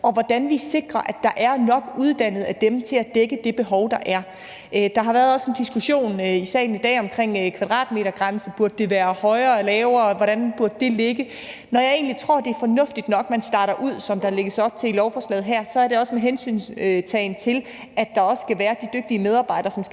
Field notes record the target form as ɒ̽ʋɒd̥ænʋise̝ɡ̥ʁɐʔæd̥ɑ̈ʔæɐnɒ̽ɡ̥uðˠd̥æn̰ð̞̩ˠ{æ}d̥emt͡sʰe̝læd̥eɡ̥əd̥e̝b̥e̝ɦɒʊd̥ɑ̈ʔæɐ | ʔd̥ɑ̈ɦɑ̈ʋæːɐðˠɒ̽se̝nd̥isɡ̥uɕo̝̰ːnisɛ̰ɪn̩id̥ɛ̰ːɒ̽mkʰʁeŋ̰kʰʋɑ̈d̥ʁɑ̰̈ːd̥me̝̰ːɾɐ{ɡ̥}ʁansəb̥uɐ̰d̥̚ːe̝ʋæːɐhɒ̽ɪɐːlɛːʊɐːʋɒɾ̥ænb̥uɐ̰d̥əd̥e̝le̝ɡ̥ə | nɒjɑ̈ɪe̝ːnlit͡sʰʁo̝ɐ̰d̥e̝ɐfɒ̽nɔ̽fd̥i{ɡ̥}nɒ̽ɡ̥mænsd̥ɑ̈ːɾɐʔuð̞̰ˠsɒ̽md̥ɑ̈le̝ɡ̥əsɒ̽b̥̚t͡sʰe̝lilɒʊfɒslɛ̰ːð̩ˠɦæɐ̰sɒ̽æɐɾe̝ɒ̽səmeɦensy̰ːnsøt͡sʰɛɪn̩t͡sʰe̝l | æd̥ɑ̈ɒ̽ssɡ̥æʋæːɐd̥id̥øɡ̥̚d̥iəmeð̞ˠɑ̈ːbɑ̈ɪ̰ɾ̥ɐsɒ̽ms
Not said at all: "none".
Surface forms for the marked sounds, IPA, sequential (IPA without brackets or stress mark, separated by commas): æ, ɡ̥, d̥